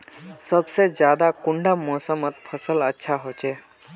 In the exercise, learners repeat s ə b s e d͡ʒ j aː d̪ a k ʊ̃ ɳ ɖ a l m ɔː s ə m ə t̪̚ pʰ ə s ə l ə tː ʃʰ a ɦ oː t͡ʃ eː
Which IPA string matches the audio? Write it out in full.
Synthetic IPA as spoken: s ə b s e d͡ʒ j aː d̪ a k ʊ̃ ɳ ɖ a m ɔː s ə m ə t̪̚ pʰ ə s ə l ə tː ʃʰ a ɦ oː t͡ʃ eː